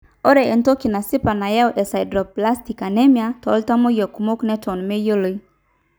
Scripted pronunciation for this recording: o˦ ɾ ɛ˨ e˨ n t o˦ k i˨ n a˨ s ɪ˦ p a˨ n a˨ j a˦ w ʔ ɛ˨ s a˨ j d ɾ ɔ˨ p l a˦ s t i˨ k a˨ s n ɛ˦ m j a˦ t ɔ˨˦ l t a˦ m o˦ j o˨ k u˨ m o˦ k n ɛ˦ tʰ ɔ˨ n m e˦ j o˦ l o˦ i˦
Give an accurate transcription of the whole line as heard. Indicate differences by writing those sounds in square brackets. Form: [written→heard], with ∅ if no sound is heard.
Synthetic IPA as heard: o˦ ɾ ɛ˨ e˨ n t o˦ k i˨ n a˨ s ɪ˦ p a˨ n a˨ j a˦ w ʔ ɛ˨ s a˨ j d ɾ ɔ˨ p l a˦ s t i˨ k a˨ [s→∅] n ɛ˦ m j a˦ t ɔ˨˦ l t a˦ m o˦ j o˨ k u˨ m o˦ k n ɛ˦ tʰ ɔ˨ n m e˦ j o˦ l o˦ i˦